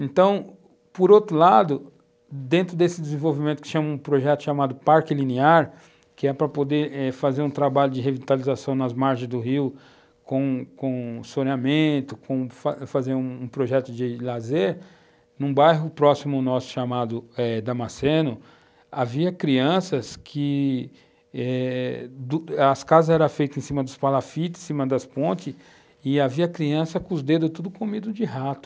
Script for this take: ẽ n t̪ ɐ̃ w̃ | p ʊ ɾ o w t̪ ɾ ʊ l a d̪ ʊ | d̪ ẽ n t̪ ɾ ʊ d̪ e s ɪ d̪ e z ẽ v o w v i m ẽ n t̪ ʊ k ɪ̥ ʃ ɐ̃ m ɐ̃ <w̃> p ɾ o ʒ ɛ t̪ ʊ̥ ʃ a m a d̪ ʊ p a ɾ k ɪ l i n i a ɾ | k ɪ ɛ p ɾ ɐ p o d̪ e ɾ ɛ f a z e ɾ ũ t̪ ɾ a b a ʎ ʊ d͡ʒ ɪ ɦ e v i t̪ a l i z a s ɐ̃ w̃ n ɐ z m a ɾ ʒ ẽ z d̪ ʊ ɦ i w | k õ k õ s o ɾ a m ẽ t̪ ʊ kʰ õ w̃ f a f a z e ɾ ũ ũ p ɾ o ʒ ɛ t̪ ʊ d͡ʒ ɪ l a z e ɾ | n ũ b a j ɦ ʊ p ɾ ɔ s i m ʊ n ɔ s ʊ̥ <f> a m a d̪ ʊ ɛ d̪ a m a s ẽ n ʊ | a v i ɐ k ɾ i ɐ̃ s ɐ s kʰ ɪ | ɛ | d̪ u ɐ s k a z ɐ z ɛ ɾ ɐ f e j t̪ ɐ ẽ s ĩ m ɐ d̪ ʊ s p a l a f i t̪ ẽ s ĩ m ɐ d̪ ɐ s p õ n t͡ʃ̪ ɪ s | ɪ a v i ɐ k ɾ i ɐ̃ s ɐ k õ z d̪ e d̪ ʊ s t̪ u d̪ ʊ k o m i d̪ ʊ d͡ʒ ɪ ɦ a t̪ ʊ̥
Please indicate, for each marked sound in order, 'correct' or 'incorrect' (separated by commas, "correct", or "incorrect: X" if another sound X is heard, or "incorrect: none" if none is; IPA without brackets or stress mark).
incorrect: ũ, incorrect: ʃ